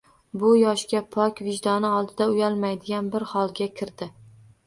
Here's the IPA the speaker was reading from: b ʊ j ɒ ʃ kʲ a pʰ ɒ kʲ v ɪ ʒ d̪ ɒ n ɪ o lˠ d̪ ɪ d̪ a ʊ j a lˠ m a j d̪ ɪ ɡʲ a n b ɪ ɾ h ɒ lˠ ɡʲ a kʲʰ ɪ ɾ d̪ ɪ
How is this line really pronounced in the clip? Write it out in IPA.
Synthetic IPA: b ʊ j ɒ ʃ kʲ a pʰ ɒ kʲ v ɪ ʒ d̪ ɒ n ɪ ɒ lˠ d̪ ɪ d̪ a ʊ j a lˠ m a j d̪ ɪ ɡʲ a n b ɪ ɾ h ɒ lˠ ɡʲ a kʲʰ ɪ ɾ d̪ ɪ